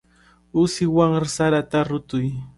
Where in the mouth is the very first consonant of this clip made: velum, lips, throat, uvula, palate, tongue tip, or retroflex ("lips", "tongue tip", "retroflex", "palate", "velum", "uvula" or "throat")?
tongue tip